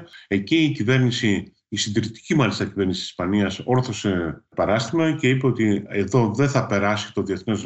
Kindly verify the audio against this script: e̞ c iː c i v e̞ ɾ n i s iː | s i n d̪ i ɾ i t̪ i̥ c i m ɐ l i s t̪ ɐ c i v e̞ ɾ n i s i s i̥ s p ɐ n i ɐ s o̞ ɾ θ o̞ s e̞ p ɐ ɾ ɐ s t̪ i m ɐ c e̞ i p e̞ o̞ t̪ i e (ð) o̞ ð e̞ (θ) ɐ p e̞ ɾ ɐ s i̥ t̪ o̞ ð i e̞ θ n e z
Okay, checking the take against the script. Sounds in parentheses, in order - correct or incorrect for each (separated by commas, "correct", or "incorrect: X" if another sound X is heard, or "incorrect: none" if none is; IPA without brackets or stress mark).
correct, correct